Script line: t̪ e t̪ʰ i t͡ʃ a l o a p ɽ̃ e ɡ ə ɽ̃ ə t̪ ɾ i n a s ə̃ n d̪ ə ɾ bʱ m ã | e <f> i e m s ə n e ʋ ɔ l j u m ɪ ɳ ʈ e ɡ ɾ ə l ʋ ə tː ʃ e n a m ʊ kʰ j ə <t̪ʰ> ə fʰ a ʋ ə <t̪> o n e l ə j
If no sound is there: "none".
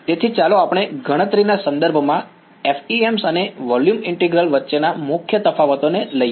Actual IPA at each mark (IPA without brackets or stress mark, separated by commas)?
f, t̪, t̪